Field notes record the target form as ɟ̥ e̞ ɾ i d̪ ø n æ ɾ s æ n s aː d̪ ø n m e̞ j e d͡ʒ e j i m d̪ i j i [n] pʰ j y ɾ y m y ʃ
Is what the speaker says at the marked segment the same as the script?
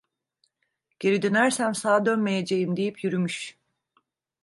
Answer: no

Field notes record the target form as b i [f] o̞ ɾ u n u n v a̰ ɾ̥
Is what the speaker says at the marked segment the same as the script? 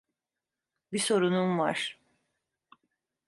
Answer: no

